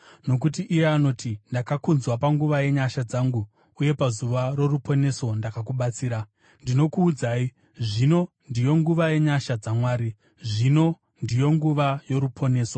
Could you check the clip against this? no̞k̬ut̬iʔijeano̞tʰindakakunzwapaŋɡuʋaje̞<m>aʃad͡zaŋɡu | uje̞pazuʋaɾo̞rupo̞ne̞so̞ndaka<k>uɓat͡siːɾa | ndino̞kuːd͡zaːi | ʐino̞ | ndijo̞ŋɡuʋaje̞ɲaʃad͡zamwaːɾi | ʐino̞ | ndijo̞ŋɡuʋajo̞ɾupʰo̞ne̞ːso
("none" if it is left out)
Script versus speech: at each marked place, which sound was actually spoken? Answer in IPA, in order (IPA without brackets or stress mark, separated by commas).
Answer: ɲ, k